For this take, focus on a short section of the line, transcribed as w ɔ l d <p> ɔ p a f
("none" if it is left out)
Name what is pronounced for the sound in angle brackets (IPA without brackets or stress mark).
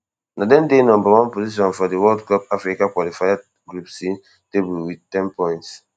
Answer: k